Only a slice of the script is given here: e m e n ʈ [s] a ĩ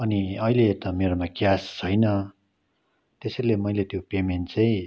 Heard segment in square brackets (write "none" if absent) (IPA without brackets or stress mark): t͡s